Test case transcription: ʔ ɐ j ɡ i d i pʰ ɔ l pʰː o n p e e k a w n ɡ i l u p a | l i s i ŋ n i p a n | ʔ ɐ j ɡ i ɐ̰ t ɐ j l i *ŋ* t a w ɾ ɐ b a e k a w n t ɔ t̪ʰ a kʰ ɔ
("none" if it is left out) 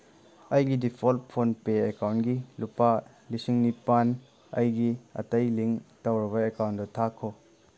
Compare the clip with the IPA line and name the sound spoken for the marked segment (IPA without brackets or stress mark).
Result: ŋ